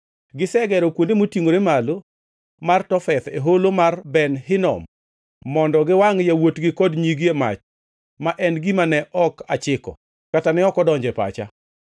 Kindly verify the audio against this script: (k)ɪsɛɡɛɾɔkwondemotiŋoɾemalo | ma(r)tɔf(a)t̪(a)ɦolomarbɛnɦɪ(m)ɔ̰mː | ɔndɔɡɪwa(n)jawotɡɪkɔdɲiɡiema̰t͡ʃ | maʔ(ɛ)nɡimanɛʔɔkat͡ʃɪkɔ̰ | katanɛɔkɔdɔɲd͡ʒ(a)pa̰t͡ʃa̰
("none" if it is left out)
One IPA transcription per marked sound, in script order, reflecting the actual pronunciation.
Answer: ɡ, r, ɛ, e, n, ŋ, ɛ, ɛ

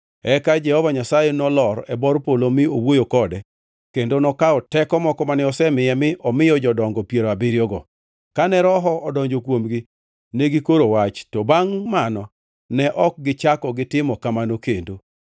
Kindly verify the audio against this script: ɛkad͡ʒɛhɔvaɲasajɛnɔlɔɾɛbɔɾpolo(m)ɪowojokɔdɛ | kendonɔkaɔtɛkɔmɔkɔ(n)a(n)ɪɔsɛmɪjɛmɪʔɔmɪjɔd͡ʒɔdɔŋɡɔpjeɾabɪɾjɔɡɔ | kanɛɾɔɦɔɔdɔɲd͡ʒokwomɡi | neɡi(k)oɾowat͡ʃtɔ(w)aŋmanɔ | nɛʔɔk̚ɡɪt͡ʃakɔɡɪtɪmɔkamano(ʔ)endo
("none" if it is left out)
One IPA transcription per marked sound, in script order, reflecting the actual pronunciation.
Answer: m, m, n, k, b, k

